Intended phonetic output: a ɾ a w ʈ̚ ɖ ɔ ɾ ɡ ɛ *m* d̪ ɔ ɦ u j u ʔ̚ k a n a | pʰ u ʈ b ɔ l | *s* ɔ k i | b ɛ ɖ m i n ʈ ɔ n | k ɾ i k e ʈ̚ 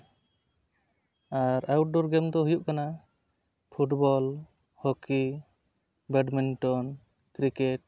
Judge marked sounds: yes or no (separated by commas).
yes, no